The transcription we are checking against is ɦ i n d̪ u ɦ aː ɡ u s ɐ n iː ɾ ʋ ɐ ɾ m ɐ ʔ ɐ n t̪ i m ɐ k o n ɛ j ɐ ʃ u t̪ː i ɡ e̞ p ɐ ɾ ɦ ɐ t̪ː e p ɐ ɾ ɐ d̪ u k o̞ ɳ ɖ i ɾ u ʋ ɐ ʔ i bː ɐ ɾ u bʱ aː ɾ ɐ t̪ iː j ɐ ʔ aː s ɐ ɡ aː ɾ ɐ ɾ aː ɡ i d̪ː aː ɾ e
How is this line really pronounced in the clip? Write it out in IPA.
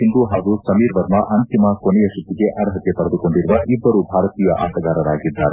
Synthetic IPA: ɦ i n d̪ u ɦ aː ɡ u s ɐ m iː ɾ ʋ ɐ ɾ m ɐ ʔ ɐ n t̪ i m ɐ k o n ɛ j ɐ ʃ u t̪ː i ɡ e̞ ʔ ɐ ɾ ɦ ɐ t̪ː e p ɐ ɾ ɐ d̪ u k o̞ ɳ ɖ i ɾ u ʋ ɐ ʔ i bː ɐ ɾ u bʱ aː ɾ ɐ t̪ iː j ɐ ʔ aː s ɐ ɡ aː ɾ ɐ ɾ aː ɡ i d̪ː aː ɾ e